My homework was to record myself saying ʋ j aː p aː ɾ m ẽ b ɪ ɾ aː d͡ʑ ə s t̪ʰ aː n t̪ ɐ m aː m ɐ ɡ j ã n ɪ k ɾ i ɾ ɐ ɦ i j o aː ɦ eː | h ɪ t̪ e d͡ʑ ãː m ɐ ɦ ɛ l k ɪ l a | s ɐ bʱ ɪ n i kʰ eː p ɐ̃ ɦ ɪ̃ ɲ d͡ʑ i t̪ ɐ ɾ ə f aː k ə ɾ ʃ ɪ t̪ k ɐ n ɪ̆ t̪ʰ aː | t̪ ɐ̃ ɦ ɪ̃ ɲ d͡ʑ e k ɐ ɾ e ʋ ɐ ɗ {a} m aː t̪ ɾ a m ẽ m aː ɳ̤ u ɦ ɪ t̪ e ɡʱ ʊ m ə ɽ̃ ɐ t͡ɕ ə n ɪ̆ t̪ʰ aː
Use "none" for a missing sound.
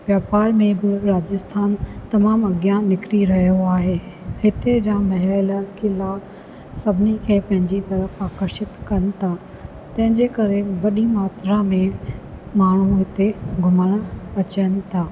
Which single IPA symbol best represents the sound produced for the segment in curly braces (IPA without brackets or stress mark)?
i